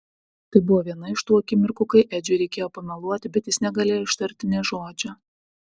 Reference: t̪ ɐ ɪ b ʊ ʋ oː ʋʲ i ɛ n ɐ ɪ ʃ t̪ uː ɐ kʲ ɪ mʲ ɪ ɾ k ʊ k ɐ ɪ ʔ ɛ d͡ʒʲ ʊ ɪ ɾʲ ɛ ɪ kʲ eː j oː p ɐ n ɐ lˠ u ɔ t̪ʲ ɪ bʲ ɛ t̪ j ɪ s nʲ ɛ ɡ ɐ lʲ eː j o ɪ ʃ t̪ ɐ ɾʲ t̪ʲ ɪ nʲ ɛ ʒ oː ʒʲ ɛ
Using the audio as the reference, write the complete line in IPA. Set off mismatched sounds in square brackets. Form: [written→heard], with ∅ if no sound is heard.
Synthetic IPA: t̪ ɐ ɪ b ʊ ʋ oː ʋʲ i ɛ n ɐ ɪ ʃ t̪ uː ɐ kʲ ɪ mʲ ɪ ɾ k ʊ k ɐ ɪ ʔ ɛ d͡ʒʲ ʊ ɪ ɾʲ ɛ ɪ kʲ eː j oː p ɐ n ɐ lˠ u ɔ t̪ʲ ɪ bʲ ɛ t̪ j ɪ s nʲ ɛ ɡ ɐ lʲ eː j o ɪ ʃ t̪ ɐ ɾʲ t̪ʲ ɪ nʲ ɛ ʒ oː [ʒʲ→d͡ʒʲ] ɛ